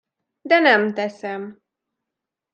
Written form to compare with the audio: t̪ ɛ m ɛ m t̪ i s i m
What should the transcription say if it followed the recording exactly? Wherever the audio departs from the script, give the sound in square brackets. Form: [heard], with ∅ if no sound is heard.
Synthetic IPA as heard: [d̪] ɛ [n] ɛ m t̪ [ɛ] s [ɛ] m